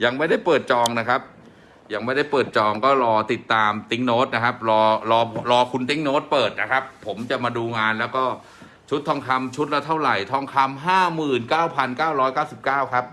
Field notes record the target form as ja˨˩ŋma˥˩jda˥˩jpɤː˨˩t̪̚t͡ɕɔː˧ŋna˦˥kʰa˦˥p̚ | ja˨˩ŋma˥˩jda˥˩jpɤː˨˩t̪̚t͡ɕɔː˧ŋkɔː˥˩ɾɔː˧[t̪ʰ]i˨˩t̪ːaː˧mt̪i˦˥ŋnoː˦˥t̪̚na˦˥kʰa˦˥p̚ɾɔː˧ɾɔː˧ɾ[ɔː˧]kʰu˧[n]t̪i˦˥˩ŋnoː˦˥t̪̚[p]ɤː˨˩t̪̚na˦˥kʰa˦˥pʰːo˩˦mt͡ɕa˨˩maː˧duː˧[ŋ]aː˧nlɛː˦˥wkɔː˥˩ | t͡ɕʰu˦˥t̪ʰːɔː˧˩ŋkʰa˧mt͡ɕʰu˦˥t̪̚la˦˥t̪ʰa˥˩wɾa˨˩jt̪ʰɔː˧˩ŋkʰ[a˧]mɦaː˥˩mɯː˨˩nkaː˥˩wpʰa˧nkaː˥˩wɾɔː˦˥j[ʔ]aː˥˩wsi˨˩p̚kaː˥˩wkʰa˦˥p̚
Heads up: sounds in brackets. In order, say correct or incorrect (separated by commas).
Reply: incorrect, correct, correct, correct, correct, correct, incorrect